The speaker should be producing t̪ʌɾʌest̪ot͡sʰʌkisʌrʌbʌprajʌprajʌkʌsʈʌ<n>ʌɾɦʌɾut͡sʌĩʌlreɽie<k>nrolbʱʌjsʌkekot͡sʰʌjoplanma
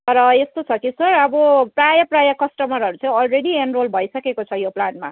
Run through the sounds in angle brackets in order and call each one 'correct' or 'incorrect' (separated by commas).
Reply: incorrect, incorrect